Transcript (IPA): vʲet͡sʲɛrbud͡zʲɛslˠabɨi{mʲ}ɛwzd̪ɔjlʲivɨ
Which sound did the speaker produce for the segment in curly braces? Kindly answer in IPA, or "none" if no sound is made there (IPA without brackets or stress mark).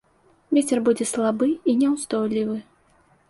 nʲ